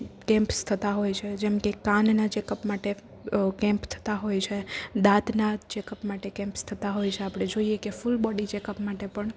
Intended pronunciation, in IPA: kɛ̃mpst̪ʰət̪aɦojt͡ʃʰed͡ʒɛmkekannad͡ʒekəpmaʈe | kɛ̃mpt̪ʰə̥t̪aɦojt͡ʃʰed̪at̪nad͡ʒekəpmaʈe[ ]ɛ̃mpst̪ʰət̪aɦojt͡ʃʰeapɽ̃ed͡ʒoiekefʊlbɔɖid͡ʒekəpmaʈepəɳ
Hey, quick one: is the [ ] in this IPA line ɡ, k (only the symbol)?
k